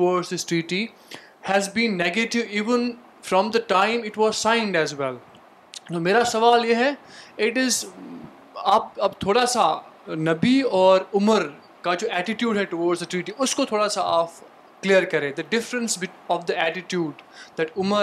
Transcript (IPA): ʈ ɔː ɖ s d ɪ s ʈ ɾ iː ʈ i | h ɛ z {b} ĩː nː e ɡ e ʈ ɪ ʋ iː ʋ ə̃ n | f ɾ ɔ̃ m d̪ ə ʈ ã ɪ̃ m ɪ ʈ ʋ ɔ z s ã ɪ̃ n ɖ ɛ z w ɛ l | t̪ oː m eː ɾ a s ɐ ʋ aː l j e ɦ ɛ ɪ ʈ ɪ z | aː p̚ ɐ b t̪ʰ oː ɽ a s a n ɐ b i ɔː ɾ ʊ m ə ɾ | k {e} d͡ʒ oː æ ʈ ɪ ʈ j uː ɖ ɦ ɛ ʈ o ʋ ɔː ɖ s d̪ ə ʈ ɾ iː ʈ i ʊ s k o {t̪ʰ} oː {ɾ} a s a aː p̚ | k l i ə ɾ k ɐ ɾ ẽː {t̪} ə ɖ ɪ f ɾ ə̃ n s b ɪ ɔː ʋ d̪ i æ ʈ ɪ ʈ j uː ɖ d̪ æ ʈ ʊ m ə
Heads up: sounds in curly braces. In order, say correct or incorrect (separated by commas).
correct, incorrect, correct, incorrect, incorrect